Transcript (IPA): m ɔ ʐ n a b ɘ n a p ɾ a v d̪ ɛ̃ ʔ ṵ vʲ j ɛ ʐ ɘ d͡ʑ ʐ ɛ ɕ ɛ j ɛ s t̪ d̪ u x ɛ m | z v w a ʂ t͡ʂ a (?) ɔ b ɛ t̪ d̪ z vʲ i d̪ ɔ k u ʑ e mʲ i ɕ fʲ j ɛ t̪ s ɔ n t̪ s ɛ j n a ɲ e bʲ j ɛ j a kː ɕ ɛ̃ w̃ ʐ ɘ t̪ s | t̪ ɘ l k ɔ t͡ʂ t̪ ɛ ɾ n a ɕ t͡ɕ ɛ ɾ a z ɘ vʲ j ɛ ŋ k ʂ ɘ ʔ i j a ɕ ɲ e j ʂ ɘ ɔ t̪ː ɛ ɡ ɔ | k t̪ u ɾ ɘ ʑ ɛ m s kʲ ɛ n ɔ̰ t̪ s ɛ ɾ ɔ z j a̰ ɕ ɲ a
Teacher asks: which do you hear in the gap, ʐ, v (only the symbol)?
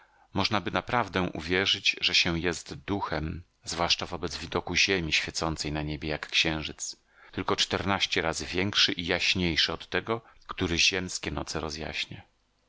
v